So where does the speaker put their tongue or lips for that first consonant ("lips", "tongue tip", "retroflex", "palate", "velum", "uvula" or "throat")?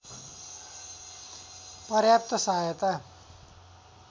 lips